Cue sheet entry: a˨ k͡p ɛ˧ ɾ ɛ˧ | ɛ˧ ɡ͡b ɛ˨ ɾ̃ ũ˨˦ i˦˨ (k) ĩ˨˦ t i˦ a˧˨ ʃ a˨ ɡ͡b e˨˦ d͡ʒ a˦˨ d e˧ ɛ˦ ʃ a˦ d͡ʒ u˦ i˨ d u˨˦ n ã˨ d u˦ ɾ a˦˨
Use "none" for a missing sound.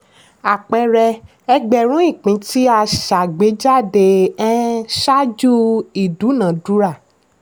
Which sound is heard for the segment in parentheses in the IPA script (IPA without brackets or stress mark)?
k͡p